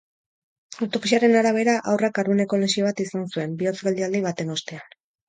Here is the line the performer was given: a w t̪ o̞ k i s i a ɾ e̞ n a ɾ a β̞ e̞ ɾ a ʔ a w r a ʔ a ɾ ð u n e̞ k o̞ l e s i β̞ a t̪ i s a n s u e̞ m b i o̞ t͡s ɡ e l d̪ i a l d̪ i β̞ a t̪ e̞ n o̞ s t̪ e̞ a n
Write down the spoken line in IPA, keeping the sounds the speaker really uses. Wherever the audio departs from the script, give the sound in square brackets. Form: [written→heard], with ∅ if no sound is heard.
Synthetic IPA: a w t̪ o̞ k i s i a ɾ e̞ n a ɾ a β̞ e̞ ɾ a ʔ a w r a [ʔ→k] a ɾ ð u n e̞ k o̞ l e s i β̞ a t̪ i s a n s u e̞ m b i o̞ t͡s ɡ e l d̪ i a l d̪ i β̞ a t̪ e̞ n o̞ s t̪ e̞ a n